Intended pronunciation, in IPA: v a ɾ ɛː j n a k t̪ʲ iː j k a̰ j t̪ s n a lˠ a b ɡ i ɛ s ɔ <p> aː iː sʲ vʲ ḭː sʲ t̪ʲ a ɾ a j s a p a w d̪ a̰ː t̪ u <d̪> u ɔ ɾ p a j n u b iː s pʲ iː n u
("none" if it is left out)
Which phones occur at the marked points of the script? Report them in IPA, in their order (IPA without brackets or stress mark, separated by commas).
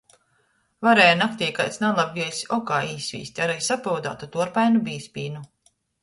k, t̪